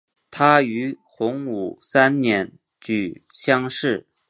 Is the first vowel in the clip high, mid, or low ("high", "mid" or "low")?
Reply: low